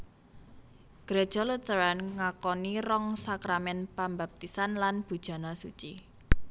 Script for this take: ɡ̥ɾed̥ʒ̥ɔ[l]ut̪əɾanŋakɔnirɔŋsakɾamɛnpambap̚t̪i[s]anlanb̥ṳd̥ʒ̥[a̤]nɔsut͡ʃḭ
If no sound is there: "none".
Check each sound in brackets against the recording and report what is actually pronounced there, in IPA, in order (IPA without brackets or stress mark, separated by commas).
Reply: l, s, a̤